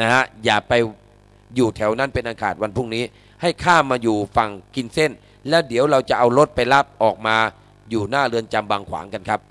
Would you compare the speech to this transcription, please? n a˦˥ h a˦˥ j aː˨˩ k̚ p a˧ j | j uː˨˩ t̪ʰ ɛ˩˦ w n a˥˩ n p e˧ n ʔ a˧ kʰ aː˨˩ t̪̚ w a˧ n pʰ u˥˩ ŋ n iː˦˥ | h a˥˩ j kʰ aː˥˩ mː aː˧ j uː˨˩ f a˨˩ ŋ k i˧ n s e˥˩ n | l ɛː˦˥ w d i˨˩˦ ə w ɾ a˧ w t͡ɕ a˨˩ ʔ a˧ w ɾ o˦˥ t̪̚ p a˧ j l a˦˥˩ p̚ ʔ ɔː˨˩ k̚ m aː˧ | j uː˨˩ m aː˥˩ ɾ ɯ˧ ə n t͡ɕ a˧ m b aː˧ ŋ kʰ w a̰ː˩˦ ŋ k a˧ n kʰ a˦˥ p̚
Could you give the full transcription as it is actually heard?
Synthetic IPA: n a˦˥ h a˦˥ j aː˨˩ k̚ p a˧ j | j uː˨˩ t̪ʰ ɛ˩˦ w n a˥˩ n p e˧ n ʔ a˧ kʰ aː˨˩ t̪̚ w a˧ n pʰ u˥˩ ŋ n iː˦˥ | h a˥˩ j kʰ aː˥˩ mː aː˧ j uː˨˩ f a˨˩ ŋ k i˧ n s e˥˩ n | l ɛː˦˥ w d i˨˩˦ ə w ɾ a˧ w t͡ɕ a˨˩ ʔ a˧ w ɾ o˦˥ t̪̚ p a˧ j l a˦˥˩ p̚ ʔ ɔː˨˩ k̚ m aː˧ | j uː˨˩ n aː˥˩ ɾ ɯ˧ ə n t͡ɕ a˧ m b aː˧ ŋ kʰ w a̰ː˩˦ ŋ k a˧ n kʰ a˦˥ p̚

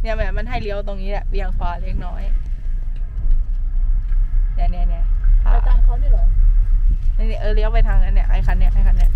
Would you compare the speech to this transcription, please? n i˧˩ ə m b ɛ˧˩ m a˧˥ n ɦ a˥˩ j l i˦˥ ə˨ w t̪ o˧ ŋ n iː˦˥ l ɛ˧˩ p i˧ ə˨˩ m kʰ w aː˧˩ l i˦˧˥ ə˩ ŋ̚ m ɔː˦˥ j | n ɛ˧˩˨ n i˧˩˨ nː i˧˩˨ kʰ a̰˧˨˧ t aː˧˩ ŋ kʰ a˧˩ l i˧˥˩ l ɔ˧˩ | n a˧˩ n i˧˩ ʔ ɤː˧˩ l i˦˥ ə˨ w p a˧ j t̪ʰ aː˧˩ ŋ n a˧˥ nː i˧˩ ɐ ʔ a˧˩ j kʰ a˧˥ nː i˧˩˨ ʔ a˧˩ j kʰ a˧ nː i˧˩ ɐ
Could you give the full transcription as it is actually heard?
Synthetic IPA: n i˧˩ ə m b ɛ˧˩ m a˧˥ n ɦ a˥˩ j l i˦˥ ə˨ w t̪ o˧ ŋ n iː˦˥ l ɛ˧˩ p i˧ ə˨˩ ŋ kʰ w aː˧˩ l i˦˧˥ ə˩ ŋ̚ n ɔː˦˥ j | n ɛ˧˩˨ n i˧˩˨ n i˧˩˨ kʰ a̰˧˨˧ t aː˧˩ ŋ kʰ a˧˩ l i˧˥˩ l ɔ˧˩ | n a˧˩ n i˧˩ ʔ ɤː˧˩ l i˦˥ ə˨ w p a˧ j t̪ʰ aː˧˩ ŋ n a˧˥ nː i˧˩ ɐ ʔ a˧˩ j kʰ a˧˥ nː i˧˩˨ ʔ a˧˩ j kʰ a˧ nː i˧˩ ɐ

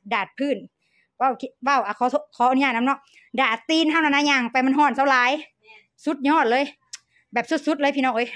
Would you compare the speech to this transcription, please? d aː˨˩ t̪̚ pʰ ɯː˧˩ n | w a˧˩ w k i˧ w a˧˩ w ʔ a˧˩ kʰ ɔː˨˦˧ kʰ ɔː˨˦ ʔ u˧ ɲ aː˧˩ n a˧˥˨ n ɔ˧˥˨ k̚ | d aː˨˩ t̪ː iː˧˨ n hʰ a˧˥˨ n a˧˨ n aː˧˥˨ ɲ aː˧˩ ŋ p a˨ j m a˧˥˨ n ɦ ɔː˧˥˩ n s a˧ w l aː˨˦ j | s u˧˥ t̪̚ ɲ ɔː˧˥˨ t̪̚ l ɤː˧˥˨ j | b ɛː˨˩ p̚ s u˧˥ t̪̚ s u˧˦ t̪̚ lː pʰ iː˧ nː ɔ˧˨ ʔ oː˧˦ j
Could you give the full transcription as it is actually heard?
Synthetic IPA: d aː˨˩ t̪̚ pʰ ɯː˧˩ n | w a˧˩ w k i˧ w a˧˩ w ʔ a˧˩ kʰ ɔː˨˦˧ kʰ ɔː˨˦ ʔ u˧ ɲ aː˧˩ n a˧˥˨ n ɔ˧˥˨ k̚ | d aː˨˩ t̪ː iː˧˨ n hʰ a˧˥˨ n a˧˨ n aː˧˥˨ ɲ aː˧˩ ŋ p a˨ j m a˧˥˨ n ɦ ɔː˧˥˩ n s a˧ w l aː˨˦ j | s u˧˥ t̪̚ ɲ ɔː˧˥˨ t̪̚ l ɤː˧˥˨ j | b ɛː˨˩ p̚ s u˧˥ t̪̚ s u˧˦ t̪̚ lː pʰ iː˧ n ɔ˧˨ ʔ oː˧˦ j

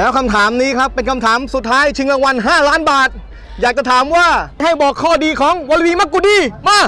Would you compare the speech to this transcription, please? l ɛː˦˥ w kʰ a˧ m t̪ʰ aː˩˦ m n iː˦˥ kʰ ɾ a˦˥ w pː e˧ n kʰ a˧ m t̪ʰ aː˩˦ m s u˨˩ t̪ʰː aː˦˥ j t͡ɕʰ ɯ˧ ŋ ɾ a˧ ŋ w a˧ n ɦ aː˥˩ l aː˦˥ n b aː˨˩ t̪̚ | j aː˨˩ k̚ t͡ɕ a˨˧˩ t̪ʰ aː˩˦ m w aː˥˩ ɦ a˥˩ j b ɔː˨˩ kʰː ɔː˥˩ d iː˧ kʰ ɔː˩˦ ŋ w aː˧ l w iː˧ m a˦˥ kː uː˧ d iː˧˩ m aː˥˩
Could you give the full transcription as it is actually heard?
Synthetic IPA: l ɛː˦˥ w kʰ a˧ m t̪ʰ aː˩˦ m n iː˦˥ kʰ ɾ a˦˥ pː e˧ n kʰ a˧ m t̪ʰ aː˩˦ m s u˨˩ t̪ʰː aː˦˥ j t͡ɕʰ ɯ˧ ŋ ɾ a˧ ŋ w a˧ n ɦ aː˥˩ l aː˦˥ n b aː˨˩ t̪̚ | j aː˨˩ k̚ t͡ɕ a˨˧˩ t̪ʰ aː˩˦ m w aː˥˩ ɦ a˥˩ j b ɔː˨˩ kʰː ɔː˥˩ d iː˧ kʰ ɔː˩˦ ŋ w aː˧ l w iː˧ m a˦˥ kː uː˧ d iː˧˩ m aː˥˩

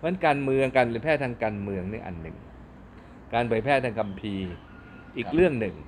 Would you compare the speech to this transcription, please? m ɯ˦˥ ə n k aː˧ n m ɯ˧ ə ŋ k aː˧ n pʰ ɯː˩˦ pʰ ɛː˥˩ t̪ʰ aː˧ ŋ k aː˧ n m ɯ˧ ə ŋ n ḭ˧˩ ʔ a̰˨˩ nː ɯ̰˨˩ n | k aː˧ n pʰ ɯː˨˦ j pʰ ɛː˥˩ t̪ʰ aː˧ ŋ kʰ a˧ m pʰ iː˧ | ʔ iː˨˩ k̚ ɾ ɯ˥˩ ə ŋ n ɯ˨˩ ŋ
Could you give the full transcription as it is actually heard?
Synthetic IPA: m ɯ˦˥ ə n k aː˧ n m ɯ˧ ə ŋ k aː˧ n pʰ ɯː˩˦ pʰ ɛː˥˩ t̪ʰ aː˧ ŋ k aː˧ n m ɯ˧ ə ŋ n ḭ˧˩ ʔ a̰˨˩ nː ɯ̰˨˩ ŋ | k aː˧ n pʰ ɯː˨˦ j pʰ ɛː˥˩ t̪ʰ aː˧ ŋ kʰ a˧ m pʰ iː˧ | ʔ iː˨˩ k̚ ɾ ɯ˥˩ ə ŋ n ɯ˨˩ ŋ

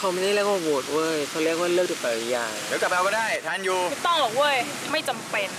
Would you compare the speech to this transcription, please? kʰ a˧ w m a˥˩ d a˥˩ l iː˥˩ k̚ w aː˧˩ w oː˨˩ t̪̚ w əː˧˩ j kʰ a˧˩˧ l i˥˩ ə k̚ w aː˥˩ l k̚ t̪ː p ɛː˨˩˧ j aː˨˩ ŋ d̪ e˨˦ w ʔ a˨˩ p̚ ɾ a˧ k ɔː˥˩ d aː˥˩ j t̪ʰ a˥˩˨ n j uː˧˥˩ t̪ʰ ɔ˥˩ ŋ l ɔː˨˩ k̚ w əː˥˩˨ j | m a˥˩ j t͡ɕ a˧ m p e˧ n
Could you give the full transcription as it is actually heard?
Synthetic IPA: kʰ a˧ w m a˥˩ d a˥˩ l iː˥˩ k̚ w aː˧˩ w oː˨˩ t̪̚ w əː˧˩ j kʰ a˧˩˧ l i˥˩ ə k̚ w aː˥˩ l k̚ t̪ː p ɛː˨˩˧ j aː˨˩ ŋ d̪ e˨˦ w k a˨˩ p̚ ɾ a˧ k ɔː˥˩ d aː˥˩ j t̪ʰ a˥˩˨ n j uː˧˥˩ t̪ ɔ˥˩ ŋ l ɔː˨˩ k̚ w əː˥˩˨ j | m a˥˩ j t͡ɕ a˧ m p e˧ n

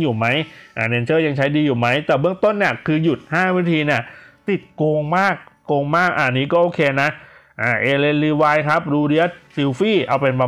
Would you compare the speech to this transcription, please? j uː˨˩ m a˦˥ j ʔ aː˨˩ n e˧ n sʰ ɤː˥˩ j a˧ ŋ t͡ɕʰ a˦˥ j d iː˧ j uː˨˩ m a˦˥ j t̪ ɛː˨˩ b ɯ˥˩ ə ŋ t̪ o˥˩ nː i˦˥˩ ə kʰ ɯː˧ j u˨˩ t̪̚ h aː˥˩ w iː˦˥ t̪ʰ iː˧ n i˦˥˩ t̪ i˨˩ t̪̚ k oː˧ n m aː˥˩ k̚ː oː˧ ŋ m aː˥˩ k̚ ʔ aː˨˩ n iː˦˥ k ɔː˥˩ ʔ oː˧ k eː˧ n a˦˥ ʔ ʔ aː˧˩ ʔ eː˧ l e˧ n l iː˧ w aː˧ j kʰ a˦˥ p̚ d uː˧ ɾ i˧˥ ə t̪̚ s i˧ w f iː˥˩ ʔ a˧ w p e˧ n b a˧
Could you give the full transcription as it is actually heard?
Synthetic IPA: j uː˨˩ m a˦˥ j ʔ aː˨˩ n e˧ n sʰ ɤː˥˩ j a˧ ŋ t͡ɕʰ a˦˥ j d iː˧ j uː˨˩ m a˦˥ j t̪ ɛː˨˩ b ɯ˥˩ ə ŋ t̪ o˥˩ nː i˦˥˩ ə kʰ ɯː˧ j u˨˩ t̪̚ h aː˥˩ w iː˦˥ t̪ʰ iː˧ n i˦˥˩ t̪ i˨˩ t̪̚ k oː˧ ŋ m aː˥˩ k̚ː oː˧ ŋ m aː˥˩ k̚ ʔ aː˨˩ n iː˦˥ k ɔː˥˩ ʔ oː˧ kʰ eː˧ n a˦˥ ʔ ʔ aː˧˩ ʔ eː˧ l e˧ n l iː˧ w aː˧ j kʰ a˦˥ p̚ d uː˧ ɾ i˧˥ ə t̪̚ s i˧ w f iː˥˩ ʔ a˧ w p e˧ n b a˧

